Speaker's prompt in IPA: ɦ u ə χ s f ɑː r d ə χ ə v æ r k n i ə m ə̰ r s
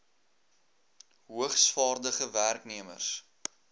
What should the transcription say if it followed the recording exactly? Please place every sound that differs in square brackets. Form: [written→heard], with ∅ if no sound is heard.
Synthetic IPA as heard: ɦ u ə χ s f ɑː r d ə χ ə v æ r k n i ə m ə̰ r s